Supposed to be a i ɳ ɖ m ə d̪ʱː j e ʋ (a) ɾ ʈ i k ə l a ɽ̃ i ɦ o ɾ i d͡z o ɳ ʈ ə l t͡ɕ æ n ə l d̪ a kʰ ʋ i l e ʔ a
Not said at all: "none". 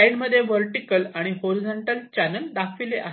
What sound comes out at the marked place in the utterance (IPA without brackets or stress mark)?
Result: ə